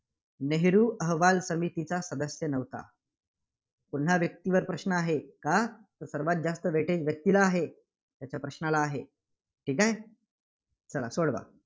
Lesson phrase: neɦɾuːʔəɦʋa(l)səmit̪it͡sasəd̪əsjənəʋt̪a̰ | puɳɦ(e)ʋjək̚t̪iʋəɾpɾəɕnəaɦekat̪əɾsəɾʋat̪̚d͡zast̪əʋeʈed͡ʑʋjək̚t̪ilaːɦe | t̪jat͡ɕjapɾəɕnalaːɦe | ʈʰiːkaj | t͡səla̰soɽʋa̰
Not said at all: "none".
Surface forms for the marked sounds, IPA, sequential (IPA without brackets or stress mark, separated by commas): l, a